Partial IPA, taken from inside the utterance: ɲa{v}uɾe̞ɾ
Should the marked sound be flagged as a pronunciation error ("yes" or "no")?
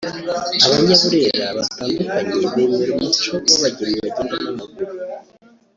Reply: yes